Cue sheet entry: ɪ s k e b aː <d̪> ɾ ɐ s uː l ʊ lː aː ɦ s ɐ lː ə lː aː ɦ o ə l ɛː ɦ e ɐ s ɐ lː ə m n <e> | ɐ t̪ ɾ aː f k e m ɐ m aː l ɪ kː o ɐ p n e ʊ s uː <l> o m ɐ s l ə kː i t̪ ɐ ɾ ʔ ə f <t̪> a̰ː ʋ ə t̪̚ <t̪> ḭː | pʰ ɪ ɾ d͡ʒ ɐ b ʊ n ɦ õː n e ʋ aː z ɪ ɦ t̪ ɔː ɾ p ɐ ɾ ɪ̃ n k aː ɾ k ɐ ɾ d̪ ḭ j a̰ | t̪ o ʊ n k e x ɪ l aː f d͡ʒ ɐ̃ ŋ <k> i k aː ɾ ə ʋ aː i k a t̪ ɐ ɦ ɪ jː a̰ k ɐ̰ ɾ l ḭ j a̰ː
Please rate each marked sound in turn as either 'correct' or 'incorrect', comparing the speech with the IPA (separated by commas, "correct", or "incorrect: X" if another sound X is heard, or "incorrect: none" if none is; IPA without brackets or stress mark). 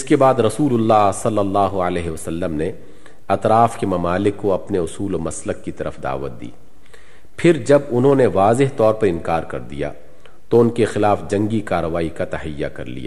correct, correct, correct, incorrect: d̪, incorrect: d̪, incorrect: ɡ